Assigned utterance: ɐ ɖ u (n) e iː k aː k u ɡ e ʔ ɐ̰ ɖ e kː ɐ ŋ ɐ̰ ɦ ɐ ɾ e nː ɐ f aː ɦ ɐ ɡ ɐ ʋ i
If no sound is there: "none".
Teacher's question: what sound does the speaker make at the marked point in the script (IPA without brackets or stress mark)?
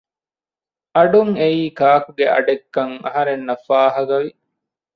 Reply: ŋ